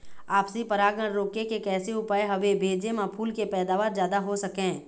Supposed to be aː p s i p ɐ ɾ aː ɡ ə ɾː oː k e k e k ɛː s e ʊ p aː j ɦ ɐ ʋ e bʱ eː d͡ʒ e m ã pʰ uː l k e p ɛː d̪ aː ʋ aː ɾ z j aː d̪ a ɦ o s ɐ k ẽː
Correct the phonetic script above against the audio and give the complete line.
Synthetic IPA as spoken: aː p s i p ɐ ɾ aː ɡ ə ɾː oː k e k e k ɛː s e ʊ p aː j ɦ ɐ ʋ e bʱ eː d͡ʒ e m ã pʰ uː l k e p ɛː d̪ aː ʋ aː ɾ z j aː d̪ a ɦ o s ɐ k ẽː